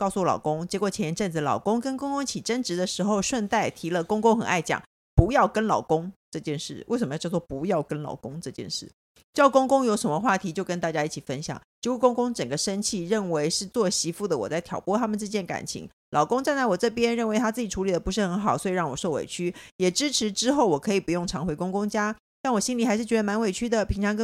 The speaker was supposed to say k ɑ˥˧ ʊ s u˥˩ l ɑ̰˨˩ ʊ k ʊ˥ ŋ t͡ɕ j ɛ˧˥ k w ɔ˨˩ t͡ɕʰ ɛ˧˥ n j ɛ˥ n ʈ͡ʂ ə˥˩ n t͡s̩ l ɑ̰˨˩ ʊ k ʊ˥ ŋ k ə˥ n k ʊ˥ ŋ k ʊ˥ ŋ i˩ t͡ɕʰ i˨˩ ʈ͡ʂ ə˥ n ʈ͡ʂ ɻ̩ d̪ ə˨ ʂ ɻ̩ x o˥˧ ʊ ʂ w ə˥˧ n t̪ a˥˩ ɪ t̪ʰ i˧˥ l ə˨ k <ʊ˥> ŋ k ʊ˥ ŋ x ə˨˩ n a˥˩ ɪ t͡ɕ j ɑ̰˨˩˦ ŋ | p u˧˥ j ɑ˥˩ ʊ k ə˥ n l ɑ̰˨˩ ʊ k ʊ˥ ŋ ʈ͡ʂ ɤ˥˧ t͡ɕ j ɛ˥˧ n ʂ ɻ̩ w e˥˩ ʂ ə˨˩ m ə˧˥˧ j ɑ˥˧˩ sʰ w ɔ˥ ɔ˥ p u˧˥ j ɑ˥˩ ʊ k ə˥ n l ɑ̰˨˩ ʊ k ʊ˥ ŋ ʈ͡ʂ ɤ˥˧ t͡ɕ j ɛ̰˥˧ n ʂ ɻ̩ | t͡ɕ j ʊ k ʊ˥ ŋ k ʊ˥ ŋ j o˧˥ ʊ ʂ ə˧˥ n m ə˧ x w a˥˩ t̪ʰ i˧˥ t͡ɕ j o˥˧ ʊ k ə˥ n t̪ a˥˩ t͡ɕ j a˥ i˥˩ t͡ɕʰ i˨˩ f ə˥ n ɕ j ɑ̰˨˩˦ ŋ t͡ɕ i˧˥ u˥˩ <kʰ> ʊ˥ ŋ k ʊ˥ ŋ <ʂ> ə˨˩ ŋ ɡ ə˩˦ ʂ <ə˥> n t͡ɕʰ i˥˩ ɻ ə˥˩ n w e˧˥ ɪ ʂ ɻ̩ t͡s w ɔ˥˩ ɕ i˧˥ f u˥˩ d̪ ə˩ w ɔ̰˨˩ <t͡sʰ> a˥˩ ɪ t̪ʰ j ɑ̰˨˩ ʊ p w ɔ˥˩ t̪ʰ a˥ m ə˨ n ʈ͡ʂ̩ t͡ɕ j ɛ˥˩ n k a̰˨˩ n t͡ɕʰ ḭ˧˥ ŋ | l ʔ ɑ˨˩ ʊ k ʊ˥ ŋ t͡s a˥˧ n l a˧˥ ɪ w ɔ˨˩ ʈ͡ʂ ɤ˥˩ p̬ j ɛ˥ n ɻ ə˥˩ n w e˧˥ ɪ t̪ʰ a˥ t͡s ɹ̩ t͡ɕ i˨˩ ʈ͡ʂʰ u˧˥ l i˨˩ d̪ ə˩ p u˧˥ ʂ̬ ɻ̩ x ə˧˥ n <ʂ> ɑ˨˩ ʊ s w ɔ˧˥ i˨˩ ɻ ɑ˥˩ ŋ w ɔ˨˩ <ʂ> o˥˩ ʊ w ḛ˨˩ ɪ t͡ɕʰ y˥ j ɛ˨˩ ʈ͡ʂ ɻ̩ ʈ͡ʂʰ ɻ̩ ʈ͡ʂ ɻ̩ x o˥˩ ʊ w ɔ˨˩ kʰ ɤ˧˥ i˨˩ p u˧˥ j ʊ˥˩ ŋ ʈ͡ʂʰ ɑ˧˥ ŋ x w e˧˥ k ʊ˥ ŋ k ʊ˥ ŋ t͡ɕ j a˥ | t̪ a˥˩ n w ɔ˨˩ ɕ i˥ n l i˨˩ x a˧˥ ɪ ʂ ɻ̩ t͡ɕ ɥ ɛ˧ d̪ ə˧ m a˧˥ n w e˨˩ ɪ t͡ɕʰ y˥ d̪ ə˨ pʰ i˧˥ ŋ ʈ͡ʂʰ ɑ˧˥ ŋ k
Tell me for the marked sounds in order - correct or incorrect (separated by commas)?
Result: correct, incorrect, incorrect, correct, incorrect, incorrect, correct